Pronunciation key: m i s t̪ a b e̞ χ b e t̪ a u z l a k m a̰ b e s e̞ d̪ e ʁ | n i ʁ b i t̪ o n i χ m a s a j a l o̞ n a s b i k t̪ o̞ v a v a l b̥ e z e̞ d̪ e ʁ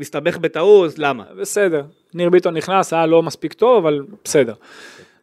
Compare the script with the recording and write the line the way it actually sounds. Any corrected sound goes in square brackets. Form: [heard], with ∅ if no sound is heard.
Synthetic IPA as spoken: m i s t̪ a b e̞ χ b e t̪ a u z l a [∅] m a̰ b e s e̞ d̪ e ʁ | n i ʁ b i t̪ o n i χ [n] a s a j a l o̞ [m] a s [p] i k t̪ o̞ v a v a l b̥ e [s] e̞ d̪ e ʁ